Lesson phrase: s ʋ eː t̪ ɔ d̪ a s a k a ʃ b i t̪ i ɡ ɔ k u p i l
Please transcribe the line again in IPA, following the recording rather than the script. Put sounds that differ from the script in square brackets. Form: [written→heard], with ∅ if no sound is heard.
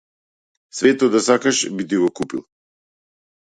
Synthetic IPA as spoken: s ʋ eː t̪ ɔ d̪ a s a k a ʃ b i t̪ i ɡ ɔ k u p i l